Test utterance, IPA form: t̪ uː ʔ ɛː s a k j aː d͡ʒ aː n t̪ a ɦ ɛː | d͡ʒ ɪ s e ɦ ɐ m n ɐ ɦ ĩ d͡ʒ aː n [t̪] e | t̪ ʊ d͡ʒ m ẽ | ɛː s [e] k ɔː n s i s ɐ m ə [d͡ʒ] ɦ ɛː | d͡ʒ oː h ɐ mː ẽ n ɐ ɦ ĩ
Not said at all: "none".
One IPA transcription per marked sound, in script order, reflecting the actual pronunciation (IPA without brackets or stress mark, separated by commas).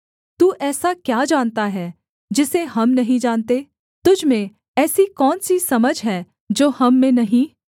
t̪, i, d͡ʒ